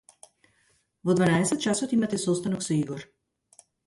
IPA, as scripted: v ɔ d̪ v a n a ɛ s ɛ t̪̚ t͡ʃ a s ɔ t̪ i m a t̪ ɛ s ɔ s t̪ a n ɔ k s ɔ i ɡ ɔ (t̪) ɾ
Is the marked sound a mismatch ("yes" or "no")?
yes